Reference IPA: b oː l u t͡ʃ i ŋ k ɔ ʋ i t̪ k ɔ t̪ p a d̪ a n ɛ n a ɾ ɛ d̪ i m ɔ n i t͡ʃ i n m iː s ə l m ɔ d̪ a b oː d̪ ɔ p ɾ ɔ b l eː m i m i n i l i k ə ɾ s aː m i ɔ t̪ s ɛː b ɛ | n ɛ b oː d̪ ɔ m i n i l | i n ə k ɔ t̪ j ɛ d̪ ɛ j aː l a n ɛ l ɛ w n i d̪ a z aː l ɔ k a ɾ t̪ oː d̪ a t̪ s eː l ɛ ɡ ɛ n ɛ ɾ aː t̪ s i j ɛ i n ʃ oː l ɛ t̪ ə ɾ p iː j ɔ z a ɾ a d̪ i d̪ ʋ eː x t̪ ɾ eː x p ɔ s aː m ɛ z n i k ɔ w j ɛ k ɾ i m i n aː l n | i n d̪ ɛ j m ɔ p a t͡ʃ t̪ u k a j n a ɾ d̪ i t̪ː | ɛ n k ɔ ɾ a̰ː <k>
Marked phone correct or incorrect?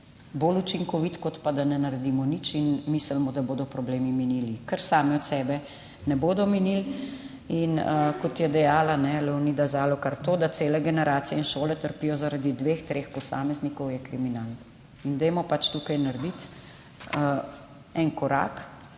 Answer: correct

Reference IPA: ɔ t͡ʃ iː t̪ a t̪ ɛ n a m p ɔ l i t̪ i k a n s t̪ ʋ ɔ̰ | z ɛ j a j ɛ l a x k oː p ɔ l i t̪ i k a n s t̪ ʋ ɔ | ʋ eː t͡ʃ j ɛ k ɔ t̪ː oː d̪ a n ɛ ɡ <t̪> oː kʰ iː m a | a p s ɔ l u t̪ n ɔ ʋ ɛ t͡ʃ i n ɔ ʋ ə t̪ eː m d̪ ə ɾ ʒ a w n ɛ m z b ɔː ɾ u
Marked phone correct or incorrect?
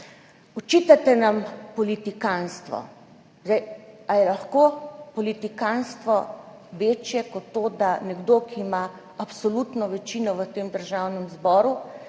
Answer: incorrect: d̪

